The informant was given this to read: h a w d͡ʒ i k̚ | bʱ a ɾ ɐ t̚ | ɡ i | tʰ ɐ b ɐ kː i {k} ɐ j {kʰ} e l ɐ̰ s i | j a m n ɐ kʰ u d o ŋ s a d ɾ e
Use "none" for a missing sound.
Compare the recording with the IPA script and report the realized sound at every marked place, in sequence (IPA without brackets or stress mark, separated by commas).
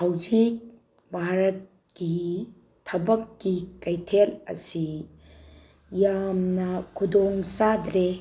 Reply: k, tʰ